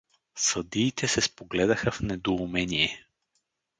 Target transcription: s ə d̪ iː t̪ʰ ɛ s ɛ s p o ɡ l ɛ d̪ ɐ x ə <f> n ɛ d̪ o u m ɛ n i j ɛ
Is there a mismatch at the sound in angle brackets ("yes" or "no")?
no